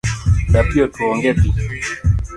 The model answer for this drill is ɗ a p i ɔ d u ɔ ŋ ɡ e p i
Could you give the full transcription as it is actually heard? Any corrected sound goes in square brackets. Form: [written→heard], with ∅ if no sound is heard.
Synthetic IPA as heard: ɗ a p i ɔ [d→t] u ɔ ŋ ɡ [e→ɛ] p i